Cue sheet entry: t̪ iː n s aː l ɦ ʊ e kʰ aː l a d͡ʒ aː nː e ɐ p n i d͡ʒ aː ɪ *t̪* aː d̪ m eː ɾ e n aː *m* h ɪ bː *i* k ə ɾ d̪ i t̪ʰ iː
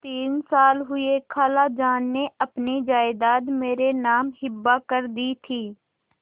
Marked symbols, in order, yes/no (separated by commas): no, yes, no